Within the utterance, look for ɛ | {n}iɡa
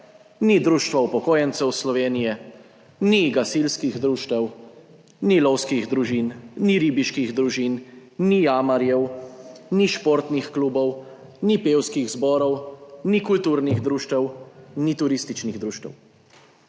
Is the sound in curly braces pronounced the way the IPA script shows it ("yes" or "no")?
yes